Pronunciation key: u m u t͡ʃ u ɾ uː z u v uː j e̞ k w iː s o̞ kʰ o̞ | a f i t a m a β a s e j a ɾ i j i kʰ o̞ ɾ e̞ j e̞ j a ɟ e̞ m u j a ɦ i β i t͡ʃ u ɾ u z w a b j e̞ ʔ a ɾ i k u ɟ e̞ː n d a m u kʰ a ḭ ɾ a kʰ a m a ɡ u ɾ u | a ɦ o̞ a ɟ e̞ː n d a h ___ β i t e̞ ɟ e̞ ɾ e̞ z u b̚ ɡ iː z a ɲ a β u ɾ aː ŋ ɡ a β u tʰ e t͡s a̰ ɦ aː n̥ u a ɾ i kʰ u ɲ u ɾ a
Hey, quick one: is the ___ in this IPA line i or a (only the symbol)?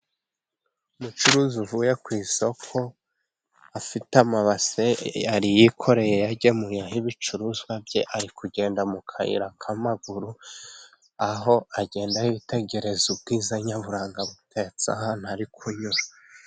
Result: i